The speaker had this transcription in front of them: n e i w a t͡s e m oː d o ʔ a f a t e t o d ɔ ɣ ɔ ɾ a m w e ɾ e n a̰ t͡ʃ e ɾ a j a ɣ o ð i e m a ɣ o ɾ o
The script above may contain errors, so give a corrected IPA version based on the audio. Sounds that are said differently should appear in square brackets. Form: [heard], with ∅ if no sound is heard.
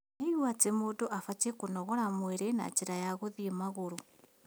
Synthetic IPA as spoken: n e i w a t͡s e m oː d o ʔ a f a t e [k] o [n] ɔ ɣ ɔ ɾ a m w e ɾ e n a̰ t͡ʃ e ɾ a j a ɣ o ð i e m a ɣ o ɾ o